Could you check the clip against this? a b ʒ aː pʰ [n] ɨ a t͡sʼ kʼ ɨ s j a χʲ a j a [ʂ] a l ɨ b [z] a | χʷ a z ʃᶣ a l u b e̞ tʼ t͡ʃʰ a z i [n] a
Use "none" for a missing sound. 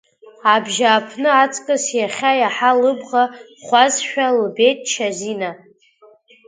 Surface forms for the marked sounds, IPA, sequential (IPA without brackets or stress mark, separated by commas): n, ħ, ʁ, n